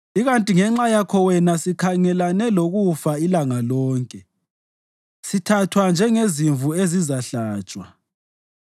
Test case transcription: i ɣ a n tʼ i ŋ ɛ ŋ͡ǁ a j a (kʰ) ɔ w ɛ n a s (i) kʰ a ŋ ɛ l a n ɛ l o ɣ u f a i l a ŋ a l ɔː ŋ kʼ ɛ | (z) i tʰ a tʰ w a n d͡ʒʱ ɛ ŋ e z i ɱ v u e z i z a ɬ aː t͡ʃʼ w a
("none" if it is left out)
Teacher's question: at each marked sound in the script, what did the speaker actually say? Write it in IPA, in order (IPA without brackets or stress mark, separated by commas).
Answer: kʰ, i, s